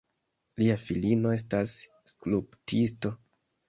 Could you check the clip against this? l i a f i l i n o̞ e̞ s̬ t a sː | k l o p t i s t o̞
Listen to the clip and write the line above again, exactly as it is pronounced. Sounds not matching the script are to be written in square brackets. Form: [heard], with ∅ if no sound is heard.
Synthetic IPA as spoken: l i a f i l i n o̞ e̞ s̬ t a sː | k l [u] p t i s t o̞